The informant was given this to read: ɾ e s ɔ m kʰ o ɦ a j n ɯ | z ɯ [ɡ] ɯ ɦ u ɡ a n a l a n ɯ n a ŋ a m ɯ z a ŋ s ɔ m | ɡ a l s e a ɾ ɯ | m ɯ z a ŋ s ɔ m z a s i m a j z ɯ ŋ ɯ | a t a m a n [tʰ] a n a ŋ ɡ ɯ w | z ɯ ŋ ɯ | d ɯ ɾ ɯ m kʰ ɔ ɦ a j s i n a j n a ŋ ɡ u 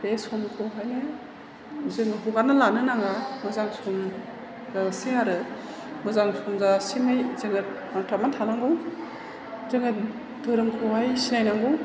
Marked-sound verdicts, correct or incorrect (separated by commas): incorrect, correct